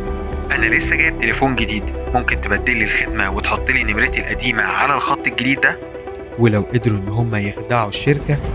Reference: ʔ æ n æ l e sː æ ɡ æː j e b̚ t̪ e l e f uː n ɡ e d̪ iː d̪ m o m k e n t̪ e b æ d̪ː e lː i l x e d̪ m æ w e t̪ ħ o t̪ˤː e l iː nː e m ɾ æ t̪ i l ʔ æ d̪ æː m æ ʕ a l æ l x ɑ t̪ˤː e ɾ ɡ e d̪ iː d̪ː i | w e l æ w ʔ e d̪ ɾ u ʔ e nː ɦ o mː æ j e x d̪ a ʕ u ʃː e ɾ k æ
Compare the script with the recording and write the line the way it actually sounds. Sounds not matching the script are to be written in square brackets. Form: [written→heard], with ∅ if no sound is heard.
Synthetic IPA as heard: ʔ æ n æ l e sː æ ɡ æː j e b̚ t̪ e l e f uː n ɡ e d̪ iː d̪ m o m k e n t̪ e b æ d̪ː e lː i l x e d̪ m æ w e t̪ ħ o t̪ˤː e l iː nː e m ɾ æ t̪ i l ʔ æ d̪ [æː→iː] m æ ʕ a l æ l x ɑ t̪ˤː e [ɾ→l] ɡ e d̪ iː d̪ː [i→æ] | w e l æ w ʔ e d̪ ɾ u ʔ e nː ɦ o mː æ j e x d̪ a ʕ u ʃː e ɾ k æ